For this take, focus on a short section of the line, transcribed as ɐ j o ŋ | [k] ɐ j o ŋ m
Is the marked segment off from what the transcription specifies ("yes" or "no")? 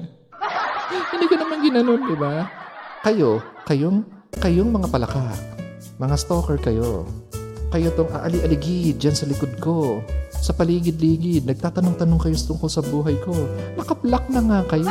no